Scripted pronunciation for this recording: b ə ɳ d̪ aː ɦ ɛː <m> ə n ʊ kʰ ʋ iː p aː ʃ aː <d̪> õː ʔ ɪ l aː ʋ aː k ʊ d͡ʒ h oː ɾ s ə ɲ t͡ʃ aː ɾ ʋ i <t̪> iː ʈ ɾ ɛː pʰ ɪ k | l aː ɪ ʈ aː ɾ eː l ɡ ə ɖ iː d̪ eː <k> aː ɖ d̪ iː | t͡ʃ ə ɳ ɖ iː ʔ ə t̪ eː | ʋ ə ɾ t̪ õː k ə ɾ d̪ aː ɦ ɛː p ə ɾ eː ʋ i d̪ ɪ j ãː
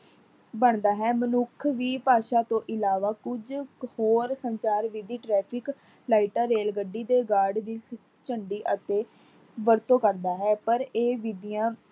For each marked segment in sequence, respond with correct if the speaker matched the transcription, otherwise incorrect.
correct, incorrect: t̪, incorrect: d̪, incorrect: ɡ

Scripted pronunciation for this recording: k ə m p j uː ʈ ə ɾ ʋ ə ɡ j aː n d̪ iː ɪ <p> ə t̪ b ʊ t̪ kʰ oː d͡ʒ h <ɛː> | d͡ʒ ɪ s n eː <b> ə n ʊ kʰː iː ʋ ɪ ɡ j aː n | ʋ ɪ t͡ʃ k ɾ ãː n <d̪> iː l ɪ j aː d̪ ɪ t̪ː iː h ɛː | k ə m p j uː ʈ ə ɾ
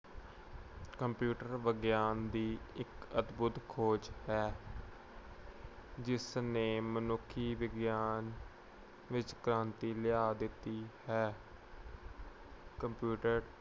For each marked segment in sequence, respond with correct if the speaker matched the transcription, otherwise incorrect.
incorrect: k, correct, incorrect: m, incorrect: t̪

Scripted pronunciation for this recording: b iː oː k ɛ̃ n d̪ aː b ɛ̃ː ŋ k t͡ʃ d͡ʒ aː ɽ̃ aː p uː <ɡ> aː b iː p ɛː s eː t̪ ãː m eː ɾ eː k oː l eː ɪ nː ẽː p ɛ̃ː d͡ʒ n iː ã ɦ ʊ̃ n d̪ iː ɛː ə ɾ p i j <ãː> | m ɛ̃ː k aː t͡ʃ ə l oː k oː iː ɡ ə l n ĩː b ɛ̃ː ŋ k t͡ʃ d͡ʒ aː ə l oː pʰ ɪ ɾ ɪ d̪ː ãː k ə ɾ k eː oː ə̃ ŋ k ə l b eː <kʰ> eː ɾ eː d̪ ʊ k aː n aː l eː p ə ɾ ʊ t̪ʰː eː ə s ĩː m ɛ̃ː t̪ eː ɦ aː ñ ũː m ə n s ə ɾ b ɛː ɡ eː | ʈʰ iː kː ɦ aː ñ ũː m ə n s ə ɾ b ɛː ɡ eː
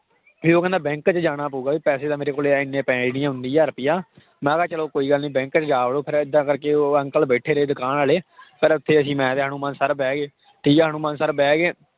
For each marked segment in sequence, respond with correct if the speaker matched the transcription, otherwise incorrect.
correct, incorrect: aː, incorrect: ʈʰ

